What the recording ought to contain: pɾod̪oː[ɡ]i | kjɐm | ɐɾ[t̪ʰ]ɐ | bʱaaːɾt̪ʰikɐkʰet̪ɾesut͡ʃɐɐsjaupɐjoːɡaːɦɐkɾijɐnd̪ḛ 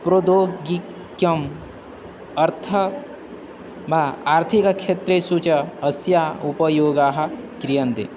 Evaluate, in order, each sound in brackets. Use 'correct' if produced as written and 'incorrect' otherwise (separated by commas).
correct, correct